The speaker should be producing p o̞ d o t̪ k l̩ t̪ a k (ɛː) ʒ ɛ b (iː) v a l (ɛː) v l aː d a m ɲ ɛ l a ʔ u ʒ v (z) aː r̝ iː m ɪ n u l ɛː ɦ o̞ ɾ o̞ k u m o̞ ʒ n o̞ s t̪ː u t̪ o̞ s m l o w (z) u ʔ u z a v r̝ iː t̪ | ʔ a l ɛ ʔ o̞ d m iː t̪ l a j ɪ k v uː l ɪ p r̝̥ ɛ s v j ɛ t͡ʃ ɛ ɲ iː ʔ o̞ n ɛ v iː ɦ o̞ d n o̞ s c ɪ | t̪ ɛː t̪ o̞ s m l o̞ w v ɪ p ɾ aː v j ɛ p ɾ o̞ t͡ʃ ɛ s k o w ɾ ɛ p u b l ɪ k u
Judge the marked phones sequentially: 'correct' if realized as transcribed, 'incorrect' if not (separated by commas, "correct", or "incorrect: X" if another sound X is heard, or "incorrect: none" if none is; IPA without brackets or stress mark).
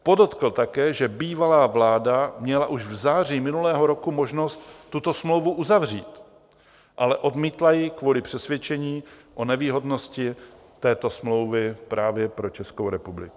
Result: correct, correct, incorrect: aː, correct, incorrect: v